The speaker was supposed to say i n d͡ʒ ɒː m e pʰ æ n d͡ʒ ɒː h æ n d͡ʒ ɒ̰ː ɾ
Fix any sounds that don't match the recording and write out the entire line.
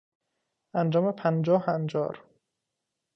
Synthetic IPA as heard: æ n d͡ʒ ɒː m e pʰ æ n d͡ʒ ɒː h æ n d͡ʒ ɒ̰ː ɾ